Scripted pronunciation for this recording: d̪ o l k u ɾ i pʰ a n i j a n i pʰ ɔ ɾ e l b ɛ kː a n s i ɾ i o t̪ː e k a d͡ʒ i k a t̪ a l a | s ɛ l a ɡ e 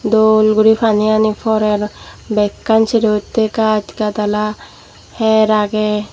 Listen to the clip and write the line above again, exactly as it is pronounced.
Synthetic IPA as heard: d̪ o l ɡ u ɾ i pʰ a n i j a n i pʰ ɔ ɾ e ɾ b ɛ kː a n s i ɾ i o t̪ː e k a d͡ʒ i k a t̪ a l a | h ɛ ɾ a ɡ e